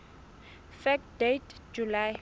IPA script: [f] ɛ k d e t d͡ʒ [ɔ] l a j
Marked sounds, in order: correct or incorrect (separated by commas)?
correct, incorrect